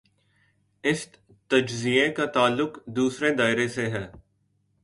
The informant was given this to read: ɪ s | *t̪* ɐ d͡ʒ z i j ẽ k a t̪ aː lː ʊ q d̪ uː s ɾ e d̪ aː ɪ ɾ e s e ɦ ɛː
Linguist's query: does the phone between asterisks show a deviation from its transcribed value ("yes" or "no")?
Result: no